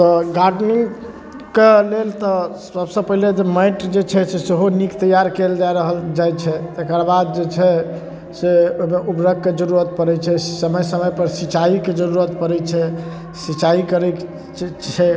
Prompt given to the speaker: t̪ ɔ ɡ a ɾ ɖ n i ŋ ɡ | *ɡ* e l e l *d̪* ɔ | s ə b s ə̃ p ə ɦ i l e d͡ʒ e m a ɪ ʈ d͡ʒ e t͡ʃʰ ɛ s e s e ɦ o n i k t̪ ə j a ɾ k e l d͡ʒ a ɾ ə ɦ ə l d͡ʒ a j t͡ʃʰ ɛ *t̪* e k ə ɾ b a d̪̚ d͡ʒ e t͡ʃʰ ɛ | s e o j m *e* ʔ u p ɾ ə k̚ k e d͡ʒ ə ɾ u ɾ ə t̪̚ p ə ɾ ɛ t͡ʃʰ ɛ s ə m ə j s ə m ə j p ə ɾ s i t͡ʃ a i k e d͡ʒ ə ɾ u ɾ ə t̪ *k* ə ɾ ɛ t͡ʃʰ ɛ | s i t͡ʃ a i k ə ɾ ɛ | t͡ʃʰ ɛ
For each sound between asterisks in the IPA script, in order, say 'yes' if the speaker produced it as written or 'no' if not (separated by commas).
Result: no, no, yes, yes, no